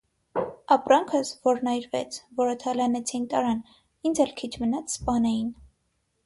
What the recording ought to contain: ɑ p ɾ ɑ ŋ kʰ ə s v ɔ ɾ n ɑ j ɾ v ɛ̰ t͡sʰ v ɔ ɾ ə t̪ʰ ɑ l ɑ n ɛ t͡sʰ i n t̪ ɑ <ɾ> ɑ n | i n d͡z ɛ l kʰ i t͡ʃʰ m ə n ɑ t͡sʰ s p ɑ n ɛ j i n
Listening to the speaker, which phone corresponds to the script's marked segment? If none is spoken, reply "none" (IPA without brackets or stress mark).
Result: ɾ